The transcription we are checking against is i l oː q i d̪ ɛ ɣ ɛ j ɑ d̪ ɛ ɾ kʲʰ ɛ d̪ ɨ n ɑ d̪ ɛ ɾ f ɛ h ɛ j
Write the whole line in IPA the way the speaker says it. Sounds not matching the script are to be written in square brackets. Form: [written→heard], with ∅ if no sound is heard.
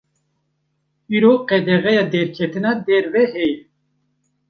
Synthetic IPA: i [l→ɾ] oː q [i→ɛ] d̪ ɛ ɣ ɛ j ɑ d̪ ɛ ɾ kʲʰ ɛ [d̪→t̪] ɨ n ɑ d̪ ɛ ɾ [f→v] ɛ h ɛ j